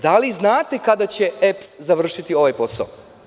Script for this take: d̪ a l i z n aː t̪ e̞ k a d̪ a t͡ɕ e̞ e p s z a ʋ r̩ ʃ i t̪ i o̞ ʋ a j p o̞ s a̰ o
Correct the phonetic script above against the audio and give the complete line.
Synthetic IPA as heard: d̪ a l i z n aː t̪ e̞ k a d̪ a t͡ɕ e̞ e p s z a ʋ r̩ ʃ i t̪ i o̞ ʋ a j p o̞ s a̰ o